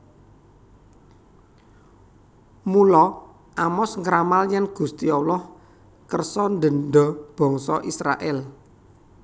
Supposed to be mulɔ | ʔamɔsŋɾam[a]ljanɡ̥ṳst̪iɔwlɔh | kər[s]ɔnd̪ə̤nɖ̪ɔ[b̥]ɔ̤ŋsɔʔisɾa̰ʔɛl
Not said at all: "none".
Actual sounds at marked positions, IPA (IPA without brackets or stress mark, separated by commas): a, s, b̥